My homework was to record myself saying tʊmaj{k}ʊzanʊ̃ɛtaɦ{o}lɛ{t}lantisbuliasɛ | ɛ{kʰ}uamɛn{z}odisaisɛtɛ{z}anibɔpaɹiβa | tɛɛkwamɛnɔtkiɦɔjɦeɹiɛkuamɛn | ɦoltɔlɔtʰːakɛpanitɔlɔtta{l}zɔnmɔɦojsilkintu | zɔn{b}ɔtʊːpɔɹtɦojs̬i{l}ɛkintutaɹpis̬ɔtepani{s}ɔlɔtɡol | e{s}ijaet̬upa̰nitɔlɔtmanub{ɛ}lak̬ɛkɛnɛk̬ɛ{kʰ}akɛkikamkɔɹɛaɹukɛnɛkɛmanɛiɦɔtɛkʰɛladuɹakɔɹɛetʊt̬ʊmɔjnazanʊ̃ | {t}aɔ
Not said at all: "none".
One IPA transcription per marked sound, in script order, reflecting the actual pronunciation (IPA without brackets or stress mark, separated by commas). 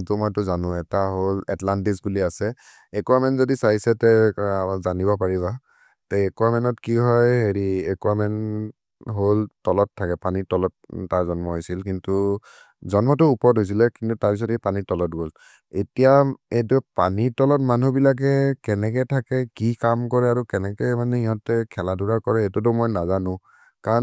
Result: t, o, t, k, z, z, ɹ, m, l, t, t, i, tʰ, k